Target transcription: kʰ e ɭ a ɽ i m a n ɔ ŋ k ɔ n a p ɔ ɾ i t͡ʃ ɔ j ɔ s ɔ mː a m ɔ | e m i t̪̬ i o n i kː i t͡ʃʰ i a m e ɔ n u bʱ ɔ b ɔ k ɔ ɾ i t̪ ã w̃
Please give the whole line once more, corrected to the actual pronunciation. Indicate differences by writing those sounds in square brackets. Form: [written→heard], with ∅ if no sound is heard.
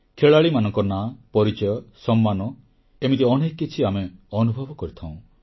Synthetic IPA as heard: kʰ e ɭ a [ɽ→ɭ] i m a n ɔ ŋ k ɔ n a p ɔ ɾ i t͡ʃ ɔ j ɔ s ɔ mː a [m→n] ɔ | e m i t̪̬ i [o→ɔ] n [i→e] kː i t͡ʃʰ i a m e ɔ n u bʱ ɔ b ɔ k ɔ ɾ i [t̪→t̪ʰ] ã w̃

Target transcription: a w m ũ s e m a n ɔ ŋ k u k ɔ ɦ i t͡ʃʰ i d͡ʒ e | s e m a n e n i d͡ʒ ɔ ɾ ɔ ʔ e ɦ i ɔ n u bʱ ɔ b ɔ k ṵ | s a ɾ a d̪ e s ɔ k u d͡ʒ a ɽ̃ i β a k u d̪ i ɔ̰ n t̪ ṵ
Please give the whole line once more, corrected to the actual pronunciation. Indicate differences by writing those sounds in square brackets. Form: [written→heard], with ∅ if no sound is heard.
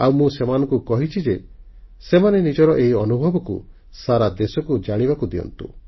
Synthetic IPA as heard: a w m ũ s e m a n ɔ ŋ k u k ɔ ɦ i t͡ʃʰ i d͡ʒ e | s e m a n e n i d͡ʒ ɔ ɾ ɔ ʔ e ɦ i ɔ n u bʱ ɔ b ɔ k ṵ | s a ɾ a d̪ e s ɔ k u d͡ʒ a ɽ̃ i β a k u d̪ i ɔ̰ n t̪ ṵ

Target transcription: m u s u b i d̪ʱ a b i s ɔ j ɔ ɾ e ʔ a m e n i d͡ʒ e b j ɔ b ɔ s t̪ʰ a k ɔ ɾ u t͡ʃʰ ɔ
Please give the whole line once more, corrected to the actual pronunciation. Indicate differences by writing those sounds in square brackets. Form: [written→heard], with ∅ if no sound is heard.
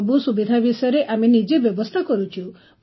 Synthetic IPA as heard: [m→b] u s u b i d̪ʱ a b i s ɔ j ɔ ɾ e ʔ a m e n i d͡ʒ e b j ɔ b ɔ s t̪ʰ a k ɔ ɾ u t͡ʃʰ [ɔ→u]

